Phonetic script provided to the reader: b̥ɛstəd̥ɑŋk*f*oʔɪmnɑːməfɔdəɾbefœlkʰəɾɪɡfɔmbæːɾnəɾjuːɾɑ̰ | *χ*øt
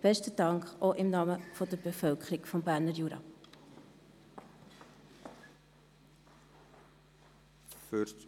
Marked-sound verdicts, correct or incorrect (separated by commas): incorrect, incorrect